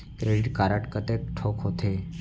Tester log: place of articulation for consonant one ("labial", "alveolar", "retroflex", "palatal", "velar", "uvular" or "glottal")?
velar